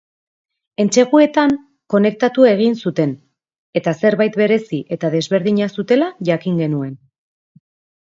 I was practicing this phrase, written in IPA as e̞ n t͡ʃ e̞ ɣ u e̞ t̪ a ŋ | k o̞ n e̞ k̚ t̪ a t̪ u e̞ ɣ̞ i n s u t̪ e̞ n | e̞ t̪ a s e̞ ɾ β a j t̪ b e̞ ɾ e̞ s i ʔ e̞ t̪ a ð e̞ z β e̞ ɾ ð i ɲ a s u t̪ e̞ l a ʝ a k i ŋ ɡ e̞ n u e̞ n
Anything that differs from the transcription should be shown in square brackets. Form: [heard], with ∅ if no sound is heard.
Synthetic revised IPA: e̞ n t͡ʃ e̞ ɣ u e̞ t̪ a ŋ | k o̞ n e̞ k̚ t̪ a t̪ u e̞ ɣ̞ i n s u t̪ e̞ n | e̞ t̪ a s e̞ ɾ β a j t̪ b e̞ ɾ e̞ s i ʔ e̞ t̪ a ð e̞ z β e̞ ɾ ð i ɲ a s u t̪ e̞ l a ʝ a k i ŋ ɡ e̞ n u e̞ n